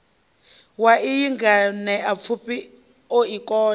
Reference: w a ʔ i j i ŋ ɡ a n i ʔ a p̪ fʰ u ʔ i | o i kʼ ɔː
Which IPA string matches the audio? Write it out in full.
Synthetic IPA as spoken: w a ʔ i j i ŋ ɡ a n ɛ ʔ a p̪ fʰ u p i | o i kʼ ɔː